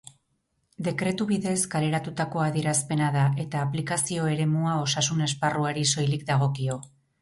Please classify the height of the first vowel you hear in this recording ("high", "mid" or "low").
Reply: mid